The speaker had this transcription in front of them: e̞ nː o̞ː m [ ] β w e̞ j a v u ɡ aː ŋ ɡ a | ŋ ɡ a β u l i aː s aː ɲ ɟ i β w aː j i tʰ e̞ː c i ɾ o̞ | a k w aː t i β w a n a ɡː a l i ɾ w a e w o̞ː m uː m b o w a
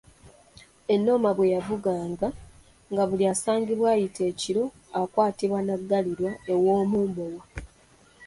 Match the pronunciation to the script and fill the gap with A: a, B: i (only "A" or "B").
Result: A